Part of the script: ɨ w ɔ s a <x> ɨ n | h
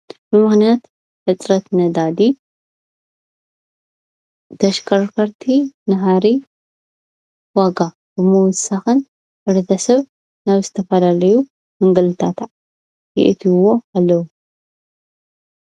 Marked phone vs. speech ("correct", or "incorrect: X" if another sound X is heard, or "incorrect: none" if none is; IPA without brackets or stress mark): correct